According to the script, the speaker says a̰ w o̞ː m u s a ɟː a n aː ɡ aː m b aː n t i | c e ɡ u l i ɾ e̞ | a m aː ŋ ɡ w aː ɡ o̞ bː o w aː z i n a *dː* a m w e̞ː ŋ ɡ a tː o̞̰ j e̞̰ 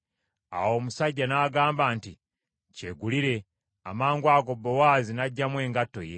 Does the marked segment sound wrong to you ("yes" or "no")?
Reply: yes